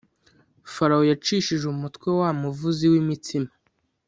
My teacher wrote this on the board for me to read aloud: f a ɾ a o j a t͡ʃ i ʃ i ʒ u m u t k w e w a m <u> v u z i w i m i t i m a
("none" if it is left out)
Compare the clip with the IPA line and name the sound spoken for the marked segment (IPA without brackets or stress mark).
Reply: u